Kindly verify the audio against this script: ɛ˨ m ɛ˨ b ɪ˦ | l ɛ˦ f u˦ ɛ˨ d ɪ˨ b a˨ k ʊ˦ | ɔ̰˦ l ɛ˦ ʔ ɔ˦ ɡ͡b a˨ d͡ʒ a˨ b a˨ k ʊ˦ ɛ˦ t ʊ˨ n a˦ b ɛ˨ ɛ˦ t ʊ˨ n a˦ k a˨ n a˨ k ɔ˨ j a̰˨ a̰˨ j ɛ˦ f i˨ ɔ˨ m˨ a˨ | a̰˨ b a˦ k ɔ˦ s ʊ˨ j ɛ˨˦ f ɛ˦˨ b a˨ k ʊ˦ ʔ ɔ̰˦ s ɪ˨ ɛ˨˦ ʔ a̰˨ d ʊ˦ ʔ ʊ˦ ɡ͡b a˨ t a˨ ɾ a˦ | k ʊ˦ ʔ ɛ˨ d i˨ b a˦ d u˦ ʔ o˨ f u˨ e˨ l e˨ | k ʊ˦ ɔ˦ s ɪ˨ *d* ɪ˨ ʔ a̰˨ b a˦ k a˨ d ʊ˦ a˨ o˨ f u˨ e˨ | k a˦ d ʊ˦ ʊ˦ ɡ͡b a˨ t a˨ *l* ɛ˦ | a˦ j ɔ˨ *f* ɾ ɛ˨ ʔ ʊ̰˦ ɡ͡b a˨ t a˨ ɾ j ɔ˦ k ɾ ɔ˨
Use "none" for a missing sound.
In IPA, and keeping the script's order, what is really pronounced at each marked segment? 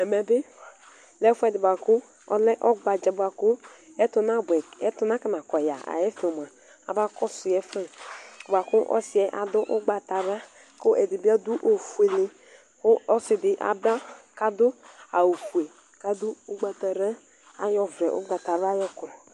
d, ɾ, v

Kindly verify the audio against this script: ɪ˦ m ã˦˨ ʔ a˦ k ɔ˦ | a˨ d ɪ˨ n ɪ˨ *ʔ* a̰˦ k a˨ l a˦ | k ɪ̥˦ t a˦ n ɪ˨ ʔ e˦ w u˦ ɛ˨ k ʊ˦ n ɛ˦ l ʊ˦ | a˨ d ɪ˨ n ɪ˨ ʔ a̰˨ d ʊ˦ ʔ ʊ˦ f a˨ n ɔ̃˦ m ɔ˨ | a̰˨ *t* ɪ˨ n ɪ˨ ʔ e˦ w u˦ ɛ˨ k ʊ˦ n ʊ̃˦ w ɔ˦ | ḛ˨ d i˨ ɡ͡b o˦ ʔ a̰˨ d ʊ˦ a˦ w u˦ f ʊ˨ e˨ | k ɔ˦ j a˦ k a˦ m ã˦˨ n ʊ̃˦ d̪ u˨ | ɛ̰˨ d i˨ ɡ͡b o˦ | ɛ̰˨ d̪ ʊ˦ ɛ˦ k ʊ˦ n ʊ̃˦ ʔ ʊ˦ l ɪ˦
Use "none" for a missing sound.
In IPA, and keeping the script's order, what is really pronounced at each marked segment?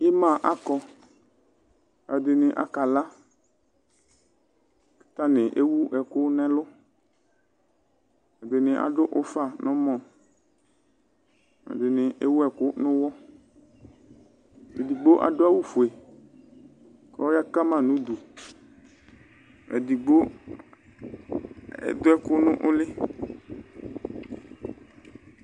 ʔ, d

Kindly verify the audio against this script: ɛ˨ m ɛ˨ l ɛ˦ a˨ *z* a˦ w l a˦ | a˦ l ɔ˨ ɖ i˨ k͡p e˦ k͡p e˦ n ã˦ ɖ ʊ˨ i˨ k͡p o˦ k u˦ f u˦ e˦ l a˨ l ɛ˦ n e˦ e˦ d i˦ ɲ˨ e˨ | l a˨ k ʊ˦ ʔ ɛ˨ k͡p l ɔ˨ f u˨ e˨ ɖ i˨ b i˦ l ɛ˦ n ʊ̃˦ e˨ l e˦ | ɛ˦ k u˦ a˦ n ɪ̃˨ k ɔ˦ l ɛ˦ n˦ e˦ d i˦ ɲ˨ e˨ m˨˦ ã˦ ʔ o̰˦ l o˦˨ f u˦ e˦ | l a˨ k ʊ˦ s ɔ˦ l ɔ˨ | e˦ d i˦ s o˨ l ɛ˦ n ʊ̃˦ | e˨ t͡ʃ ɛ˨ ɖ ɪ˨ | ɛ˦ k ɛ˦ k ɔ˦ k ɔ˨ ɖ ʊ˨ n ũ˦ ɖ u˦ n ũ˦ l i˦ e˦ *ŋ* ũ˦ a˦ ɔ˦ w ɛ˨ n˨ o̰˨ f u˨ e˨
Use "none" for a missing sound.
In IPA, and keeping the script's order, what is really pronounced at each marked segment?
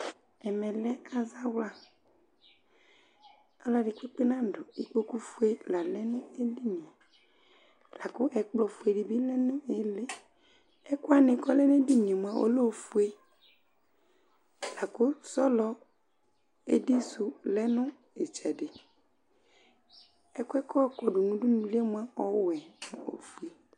z, m

